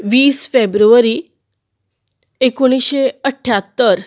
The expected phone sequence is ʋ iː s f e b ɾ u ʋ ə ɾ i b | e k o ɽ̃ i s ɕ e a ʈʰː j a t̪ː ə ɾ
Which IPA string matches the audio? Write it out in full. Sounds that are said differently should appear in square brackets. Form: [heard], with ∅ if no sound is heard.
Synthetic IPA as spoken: ʋ iː s f e b ɾ u ʋ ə ɾ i [∅] | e k o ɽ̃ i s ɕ e [ə] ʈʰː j a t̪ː ə ɾ